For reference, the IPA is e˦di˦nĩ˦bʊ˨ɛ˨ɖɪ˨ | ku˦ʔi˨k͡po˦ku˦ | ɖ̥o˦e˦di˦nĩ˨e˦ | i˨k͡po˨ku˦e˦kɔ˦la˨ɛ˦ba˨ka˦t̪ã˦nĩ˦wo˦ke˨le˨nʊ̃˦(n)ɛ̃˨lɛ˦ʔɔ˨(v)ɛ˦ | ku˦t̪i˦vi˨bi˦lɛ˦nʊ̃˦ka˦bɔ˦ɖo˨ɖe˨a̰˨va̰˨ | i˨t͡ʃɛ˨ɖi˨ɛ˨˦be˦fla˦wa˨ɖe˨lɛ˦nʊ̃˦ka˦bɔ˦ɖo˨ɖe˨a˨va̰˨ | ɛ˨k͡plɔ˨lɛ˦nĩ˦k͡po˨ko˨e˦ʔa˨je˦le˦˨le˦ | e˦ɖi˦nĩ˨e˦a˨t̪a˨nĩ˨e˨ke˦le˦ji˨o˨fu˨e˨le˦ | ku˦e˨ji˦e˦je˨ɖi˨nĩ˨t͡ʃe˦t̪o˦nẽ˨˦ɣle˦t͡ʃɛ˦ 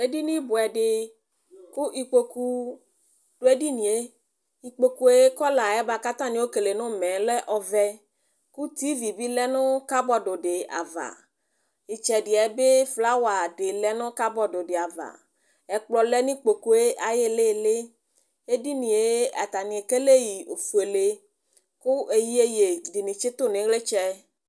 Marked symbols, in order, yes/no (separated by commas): no, yes